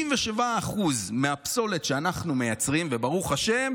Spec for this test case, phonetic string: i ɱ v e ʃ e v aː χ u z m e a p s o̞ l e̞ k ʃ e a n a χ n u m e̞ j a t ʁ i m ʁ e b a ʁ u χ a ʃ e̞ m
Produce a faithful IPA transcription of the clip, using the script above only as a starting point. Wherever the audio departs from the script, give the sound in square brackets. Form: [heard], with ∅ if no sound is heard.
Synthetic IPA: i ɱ v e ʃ e v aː χ u z m e a p s o̞ l e̞ [t] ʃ e a n a χ n u m e̞ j a [t͡s] ʁ i m [v] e b a ʁ u χ a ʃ e̞ m